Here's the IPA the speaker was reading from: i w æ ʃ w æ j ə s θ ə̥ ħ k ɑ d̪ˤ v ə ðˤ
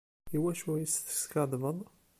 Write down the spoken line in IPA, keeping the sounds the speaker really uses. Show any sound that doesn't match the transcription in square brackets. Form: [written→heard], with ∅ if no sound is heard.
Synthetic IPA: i w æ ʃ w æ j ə s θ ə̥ [ħ→s] k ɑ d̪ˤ v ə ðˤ

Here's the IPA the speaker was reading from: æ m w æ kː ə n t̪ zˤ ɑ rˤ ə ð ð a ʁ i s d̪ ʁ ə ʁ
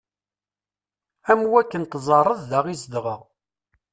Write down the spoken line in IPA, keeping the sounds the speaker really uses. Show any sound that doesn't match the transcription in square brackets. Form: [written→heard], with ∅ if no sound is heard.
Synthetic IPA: æ m w æ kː ə n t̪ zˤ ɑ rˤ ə ð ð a ʁ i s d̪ ʁ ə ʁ

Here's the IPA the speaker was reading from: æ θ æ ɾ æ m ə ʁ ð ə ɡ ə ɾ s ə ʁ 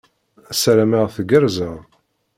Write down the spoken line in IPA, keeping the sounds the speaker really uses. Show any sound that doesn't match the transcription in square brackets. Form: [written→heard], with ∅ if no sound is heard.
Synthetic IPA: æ [θ→s] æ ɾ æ m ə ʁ [ð→θ] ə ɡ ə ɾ [s→z] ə ʁ

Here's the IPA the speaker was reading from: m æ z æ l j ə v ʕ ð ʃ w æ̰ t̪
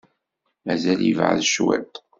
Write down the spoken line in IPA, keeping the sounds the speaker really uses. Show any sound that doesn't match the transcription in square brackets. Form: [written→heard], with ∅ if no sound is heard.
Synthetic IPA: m æ z æ l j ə v ʕ ð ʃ w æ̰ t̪

